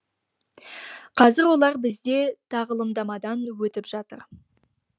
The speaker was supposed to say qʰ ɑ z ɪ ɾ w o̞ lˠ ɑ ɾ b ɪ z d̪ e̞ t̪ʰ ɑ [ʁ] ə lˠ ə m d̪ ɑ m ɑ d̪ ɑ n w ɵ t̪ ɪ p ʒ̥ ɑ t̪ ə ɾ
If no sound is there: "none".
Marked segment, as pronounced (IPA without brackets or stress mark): ʁ